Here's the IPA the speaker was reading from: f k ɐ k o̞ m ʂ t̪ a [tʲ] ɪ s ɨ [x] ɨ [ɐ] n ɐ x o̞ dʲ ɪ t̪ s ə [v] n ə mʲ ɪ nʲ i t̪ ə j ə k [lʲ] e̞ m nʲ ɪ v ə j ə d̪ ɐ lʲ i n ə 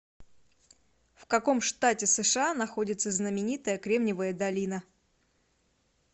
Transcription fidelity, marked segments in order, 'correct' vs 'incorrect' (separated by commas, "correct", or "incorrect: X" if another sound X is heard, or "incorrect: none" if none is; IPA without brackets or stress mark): correct, incorrect: ʂ, incorrect: a, incorrect: z, incorrect: ɾʲ